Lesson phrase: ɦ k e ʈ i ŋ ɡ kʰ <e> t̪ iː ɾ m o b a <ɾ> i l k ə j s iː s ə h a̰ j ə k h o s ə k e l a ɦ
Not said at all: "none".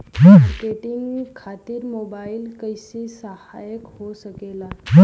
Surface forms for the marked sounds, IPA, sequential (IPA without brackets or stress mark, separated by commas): a, none